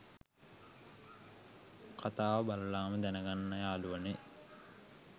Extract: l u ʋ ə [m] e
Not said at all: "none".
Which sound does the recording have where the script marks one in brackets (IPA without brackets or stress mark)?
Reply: n